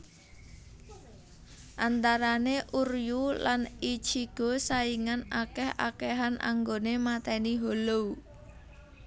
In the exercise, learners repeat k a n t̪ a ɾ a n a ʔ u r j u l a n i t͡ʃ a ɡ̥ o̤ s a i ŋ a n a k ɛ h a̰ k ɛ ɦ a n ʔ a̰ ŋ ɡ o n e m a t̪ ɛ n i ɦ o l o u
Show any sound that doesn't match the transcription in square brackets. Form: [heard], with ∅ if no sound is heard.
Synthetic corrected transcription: [ʔ] a n t̪ a ɾ a n [e] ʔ u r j u l a n i t͡ʃ [i] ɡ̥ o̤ s a i ŋ a n a k ɛ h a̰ k ɛ ɦ a n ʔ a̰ ŋ ɡ o n e m a t̪ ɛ n i ɦ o l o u